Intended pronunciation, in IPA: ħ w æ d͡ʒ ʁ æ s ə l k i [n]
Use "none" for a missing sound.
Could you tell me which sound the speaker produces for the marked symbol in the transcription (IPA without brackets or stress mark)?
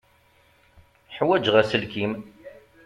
m